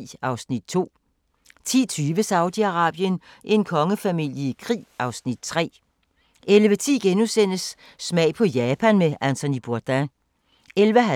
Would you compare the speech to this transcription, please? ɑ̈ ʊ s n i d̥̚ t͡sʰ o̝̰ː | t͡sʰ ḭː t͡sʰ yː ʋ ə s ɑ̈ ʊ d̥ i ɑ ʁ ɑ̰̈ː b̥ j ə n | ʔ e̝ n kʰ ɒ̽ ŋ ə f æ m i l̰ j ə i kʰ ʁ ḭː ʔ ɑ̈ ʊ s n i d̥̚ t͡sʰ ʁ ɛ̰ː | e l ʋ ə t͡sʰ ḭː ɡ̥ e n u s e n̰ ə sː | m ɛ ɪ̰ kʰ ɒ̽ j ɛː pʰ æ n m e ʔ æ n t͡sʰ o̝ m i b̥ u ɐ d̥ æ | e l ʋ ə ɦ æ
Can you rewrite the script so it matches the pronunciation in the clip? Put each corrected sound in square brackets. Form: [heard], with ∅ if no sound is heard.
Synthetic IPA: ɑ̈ ʊ s n i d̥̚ t͡sʰ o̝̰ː | t͡sʰ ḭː t͡sʰ yː ʋ ə s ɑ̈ ʊ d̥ i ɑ ʁ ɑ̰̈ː b̥ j ə n | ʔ e̝ n kʰ ɒ̽ ŋ ə f æ m i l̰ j ə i kʰ ʁ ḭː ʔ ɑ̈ ʊ s n i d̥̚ t͡sʰ ʁ ɛ̰ː | e l ʋ ə t͡sʰ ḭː ɡ̥ e n u s e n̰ ə sː | m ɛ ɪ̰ [pʰ] ɒ̽ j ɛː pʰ æ n m e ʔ æ n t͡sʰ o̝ [n] i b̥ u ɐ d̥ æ | e l ʋ ə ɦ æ